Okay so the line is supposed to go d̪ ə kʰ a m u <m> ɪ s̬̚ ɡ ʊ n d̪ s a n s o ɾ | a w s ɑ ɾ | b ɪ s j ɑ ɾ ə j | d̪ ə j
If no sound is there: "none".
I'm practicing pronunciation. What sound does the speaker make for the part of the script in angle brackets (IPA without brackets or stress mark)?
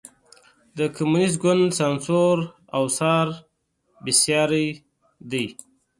n